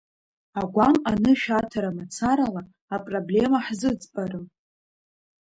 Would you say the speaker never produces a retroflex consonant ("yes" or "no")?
yes